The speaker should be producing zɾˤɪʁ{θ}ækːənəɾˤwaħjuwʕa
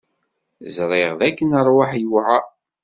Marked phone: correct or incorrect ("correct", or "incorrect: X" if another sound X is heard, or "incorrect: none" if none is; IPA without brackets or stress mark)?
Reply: incorrect: ð